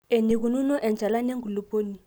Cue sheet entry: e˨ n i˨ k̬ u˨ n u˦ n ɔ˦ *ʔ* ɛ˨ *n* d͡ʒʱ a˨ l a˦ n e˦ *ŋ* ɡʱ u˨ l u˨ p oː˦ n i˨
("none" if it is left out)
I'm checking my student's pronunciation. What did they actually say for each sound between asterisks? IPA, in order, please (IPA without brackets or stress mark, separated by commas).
ʔ, n, ŋ